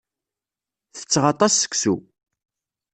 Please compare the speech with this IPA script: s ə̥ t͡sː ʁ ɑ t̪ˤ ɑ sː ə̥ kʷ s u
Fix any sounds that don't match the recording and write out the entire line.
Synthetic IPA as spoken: θ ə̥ t͡sː ʁ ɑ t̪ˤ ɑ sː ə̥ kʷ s u